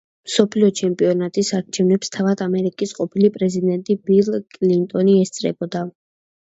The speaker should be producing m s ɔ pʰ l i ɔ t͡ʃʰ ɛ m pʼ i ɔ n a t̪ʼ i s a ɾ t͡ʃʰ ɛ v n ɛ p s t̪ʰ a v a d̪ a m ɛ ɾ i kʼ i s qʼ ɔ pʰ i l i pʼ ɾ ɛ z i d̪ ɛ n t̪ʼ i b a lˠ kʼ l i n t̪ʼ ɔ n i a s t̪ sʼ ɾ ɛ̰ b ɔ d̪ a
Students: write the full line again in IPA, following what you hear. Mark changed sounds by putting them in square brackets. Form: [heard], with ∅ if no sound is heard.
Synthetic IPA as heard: m s ɔ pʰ l i ɔ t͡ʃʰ ɛ m pʼ i ɔ n a t̪ʼ i s a ɾ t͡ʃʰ ɛ v n ɛ p s t̪ʰ a v a d̪ a m ɛ ɾ i kʼ i s qʼ ɔ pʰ i l i pʼ ɾ ɛ z i d̪ ɛ n t̪ʼ i b [i] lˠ kʼ l i n t̪ʼ ɔ n i [ɛ] s t̪ sʼ ɾ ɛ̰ b ɔ d̪ a